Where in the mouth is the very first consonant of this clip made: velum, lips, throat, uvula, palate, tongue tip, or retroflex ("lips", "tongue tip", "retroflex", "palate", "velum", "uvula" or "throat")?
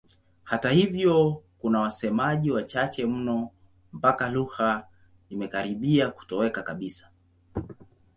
throat